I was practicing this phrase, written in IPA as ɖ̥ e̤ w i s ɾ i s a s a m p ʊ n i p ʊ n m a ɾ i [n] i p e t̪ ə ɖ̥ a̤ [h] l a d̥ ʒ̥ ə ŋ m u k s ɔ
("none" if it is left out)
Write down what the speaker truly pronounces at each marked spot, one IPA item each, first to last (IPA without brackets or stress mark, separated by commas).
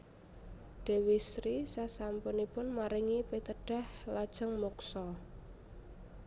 ŋ, h